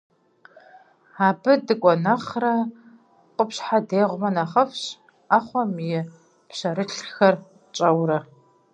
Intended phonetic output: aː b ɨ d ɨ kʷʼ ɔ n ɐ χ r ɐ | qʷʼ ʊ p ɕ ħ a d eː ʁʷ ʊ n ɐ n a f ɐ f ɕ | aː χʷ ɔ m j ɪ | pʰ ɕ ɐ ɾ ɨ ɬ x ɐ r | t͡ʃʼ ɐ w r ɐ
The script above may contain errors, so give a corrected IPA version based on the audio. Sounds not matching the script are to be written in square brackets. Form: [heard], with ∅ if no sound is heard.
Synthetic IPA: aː b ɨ d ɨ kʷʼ ɔ n ɐ χ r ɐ | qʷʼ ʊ p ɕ ħ a d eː ʁʷ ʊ [m] ɐ n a [χ] ɐ f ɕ | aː χʷ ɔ m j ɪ | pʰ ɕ ɐ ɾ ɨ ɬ x ɐ r | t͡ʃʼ ɐ w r ɐ